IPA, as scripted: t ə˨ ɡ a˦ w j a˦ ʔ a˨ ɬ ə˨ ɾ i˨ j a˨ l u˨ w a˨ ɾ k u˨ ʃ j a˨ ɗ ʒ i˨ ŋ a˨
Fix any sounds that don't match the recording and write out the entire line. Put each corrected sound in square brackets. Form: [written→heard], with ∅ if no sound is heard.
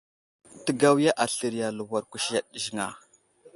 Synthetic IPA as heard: t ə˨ ɡ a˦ w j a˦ ʔ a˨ ɬ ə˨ ɾ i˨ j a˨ l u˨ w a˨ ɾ k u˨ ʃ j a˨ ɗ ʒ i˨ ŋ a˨